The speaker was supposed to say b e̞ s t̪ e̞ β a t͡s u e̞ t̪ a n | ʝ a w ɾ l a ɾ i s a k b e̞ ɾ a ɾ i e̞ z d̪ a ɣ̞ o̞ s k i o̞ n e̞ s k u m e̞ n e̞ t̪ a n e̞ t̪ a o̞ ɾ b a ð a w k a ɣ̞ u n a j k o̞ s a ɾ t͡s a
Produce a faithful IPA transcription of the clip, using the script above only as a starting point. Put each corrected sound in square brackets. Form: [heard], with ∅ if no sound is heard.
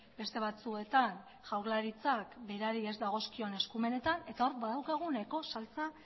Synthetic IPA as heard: b e̞ s t̪ e̞ β a t͡s u e̞ t̪ a n | ʝ a w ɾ l a ɾ i [t͡s] a k b e̞ ɾ a ɾ i e̞ z d̪ a ɣ̞ o̞ s k i o̞ n e̞ s k u m e̞ n e̞ t̪ a n e̞ t̪ a o̞ ɾ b a ð a w k a ɣ̞ u n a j k o̞ s a [l] t͡s a

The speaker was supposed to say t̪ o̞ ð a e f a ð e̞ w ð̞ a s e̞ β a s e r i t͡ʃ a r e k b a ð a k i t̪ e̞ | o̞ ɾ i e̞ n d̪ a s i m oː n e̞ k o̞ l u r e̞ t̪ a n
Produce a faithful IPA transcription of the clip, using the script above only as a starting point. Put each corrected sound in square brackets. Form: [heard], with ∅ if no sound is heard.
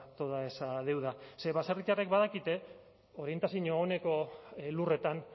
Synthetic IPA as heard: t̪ o̞ ð a e [s] a ð e̞ w ð̞ a s e̞ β a s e r i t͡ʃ a r e k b a ð a k i t̪ e̞ | o̞ ɾ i e̞ n [t̪] a s i [ɲ] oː n e̞ k o̞ l u r e̞ t̪ a n

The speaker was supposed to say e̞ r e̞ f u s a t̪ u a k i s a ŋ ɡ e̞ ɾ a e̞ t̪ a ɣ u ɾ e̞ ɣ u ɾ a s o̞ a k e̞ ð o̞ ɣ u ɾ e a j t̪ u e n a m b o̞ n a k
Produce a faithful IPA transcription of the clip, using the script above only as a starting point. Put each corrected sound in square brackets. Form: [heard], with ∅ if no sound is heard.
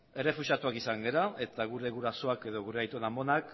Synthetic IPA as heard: e̞ r e̞ f u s a t̪ u a k i s a ŋ ɡ e̞ ɾ a e̞ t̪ a ɣ u ɾ e̞ ɣ u ɾ a s o̞ a k e̞ ð o̞ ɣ u ɾ e a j t̪ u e n a m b o̞ n a k

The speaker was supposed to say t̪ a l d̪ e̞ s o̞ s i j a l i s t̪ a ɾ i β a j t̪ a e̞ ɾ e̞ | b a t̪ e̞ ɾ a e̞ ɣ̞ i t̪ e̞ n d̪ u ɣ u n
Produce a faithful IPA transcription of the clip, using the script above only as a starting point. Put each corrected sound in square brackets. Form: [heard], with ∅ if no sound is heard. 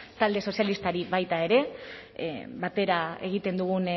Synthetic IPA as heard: t̪ a l d̪ e̞ s o̞ s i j a l i s t̪ a ɾ i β a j t̪ a e̞ ɾ e̞ | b a t̪ e̞ ɾ a e̞ ɣ̞ i t̪ e̞ n d̪ u ɣ u n

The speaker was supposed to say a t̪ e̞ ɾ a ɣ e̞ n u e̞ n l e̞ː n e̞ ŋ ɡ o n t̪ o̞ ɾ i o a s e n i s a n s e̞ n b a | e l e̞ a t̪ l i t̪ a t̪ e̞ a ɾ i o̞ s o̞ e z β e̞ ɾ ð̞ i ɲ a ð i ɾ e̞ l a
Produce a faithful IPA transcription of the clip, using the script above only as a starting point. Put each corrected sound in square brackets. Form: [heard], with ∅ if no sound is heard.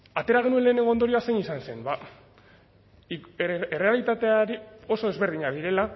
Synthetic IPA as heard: a t̪ e̞ ɾ a ɣ e̞ n u e̞ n l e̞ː n e̞ ŋ ɡ o n [d̪] o̞ ɾ i o a s e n i s a n s e̞ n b a | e [r] e̞ a [∅] l i t̪ a t̪ e̞ a ɾ i o̞ s o̞ e z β e̞ ɾ ð̞ i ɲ a ð i ɾ e̞ l a

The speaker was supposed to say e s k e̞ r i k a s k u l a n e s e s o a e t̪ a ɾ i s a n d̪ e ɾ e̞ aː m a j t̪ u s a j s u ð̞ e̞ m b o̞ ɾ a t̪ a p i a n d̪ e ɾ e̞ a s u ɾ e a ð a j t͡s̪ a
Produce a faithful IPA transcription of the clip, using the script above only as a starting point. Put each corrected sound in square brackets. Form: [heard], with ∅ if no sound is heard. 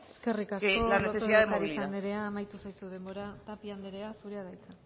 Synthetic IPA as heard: e s k e̞ r i k a s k [o] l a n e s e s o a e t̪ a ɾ i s a n d̪ e ɾ e̞ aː m a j t̪ u s a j s u ð̞ e̞ m b o̞ ɾ a t̪ a p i a n d̪ e ɾ e̞ a s u ɾ e a ð a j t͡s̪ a

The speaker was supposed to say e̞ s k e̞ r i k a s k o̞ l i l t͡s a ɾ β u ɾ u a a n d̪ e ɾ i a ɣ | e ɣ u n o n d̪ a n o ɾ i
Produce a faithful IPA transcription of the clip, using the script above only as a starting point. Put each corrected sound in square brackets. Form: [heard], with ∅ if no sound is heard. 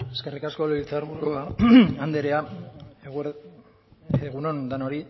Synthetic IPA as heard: e̞ s k e̞ r i k a s k o̞ l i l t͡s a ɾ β u ɾ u a a n d̪ e ɾ [e] a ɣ | e ɣ u n o n d̪ a n o ɾ i

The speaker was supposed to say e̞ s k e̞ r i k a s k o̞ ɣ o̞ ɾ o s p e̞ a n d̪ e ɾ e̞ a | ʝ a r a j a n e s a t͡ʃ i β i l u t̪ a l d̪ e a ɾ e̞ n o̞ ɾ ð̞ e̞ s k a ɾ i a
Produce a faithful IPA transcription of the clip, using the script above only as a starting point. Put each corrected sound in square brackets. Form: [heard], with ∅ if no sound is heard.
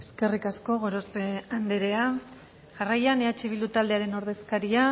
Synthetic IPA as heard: e̞ s k e̞ r i k a s k o̞ ɣ o̞ ɾ o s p e̞ a n d̪ e ɾ e̞ a | ʝ a r a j a n e [∅] a t͡ʃ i β i l u t̪ a l d̪ e a ɾ e̞ n o̞ ɾ ð̞ e̞ s k a ɾ i a

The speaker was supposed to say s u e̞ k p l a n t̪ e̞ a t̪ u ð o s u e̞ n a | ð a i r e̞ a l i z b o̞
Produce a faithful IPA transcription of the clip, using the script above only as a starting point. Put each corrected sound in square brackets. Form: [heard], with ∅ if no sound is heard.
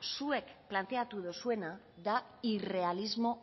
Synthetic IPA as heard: s u e̞ k p l a n t̪ e̞ a t̪ u ð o s u e̞ n a | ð a i r e̞ a l i z [m] o̞

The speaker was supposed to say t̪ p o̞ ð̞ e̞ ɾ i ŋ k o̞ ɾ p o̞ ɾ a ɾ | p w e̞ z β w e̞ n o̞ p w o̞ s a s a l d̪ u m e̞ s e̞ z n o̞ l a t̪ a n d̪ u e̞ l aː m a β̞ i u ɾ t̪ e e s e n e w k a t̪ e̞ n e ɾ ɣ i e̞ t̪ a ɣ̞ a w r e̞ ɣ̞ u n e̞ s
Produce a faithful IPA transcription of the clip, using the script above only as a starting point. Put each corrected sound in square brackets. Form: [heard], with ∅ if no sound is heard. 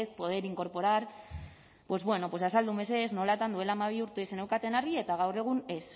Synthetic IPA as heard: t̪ p o̞ ð̞ e̞ ɾ i ŋ k o̞ ɾ p o̞ ɾ a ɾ | p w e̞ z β w e̞ n o̞ p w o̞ s a s a l d̪ u m e̞ s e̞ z n o̞ l a t̪ a n d̪ u e̞ l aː m a β̞ i u ɾ t̪ e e s e n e w k a t̪ e̞ n [a] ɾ ɣ i e̞ t̪ a ɣ̞ a w r e̞ ɣ̞ u n e̞ s

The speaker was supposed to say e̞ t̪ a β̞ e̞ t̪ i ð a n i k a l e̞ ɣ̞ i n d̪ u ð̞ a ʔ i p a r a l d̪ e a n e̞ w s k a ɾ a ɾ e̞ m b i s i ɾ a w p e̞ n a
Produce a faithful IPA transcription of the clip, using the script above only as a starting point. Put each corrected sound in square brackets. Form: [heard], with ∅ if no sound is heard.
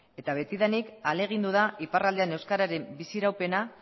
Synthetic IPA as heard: e̞ t̪ a β̞ e̞ t̪ i ð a n i k a l e̞ ɣ̞ i n d̪ u ð̞ a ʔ i p a r a l d̪ e a n e̞ w s k a ɾ a ɾ e̞ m b i s i ɾ a w p e̞ n a

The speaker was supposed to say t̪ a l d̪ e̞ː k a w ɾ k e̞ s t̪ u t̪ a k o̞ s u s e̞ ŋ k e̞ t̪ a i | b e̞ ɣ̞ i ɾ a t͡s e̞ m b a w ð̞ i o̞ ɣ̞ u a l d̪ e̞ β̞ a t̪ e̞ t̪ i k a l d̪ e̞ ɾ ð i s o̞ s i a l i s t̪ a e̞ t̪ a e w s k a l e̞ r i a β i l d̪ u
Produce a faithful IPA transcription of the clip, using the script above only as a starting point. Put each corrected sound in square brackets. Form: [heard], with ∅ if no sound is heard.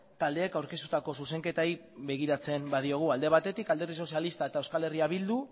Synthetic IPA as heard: t̪ a l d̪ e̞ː k a w ɾ k e̞ s t̪ u t̪ a k o̞ s u s e̞ ŋ k e̞ t̪ a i | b e̞ ɣ̞ i ɾ a t͡s e̞ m b a [∅] ð̞ i o̞ ɣ̞ u a l d̪ e̞ β̞ a t̪ e̞ t̪ i k a l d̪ e̞ ɾ ð i s o̞ s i a l i s t̪ a e̞ t̪ a e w s k a l e̞ r i a β i l d̪ u

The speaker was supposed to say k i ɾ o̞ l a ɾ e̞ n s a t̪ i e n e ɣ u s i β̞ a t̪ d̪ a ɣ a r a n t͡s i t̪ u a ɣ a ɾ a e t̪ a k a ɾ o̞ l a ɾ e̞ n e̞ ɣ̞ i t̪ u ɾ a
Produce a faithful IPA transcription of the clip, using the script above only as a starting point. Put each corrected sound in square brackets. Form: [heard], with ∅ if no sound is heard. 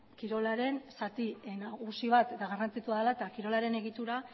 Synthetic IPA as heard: k i ɾ o̞ l a ɾ e̞ n s a t̪ i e n [a] ɣ u s i β̞ a t̪ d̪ a ɣ a r a n t͡s i t̪ u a [ð] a [l] a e t̪ a k [i] ɾ o̞ l a ɾ e̞ n e̞ ɣ̞ i t̪ u ɾ a

